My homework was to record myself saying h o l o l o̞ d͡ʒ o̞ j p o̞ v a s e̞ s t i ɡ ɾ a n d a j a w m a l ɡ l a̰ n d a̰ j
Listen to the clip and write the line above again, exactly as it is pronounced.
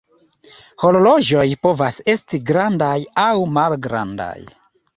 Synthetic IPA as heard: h o l o l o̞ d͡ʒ o̞ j p o̞ v a s e̞ s t i ɡ ɾ a n d a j a w m a l ɡ ɾ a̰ n d a̰ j